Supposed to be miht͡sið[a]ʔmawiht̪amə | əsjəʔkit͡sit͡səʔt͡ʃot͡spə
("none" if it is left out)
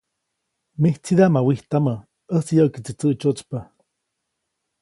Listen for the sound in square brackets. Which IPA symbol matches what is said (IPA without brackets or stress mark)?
a